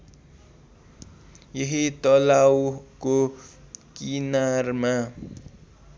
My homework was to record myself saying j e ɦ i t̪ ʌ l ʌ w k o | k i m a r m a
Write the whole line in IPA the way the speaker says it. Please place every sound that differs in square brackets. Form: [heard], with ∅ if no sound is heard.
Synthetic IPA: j e ɦ i t̪ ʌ l [a] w k o | k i [n] a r m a